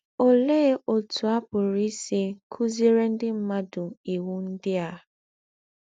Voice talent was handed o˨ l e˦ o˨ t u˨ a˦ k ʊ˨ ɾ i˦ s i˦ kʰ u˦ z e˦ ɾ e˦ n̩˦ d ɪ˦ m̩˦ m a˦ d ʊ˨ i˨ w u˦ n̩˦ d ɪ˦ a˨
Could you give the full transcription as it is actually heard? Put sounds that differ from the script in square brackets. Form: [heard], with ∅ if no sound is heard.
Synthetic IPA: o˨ l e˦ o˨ t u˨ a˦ [p] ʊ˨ ɾ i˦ s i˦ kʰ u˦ z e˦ ɾ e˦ n̩˦ d ɪ˦ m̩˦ m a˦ d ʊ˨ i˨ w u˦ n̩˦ d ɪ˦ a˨